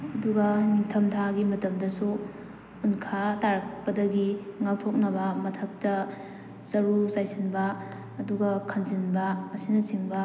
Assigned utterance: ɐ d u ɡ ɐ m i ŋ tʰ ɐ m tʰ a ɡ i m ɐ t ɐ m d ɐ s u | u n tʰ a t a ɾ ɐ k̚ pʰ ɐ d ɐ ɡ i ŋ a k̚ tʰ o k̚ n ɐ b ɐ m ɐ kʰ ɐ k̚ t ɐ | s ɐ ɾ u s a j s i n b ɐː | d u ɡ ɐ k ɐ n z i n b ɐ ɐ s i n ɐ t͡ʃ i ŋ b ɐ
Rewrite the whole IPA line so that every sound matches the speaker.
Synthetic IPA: ɐ d u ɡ ɐ n i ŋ tʰ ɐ m tʰ a ɡ i m ɐ t ɐ m d ɐ s u | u n kʰ a t a ɾ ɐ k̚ p ɐ d ɐ ɡ i ŋ a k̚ tʰ o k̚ n ɐ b ɐ m ɐ tʰ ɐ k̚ t ɐ | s ɐ ɾ u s a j s i n b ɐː | d u ɡ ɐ kʰ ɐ n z i n b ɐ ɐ s i n ɐ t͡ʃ i ŋ b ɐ